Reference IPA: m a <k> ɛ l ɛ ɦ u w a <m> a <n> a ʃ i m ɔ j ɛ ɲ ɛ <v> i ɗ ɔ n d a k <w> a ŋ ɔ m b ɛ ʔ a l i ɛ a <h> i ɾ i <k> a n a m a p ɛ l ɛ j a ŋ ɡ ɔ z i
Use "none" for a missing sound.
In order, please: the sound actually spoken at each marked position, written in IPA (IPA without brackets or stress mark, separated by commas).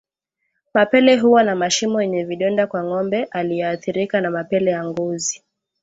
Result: p, n, m, v, w, θ, k